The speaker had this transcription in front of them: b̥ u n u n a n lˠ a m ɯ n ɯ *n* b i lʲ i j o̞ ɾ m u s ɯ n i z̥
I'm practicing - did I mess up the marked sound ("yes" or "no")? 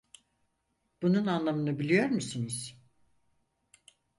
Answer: yes